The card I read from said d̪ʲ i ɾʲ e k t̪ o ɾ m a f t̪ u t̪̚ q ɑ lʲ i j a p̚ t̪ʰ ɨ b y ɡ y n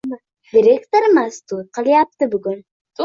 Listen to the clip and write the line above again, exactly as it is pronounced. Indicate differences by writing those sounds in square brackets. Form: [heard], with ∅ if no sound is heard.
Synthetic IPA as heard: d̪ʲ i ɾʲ e k t̪ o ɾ m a [s] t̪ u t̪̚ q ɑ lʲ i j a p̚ [t̪] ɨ b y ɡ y n